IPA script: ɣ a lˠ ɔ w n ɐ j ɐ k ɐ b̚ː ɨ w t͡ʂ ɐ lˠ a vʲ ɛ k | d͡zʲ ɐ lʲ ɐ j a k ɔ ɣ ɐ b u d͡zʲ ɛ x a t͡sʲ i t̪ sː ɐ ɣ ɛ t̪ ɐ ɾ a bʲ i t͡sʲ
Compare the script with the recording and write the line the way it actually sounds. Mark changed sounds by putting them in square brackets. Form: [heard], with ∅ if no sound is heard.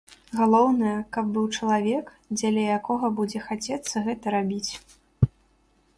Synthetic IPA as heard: ɣ a lˠ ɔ w n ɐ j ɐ k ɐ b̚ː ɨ w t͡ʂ ɐ lˠ a vʲ ɛ k | d͡zʲ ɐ lʲ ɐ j a k ɔ ɣ ɐ b u d͡zʲ ɛ x a t͡sʲ [ɛ] t̪ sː ɐ ɣ ɛ t̪ ɐ ɾ a bʲ i t͡sʲ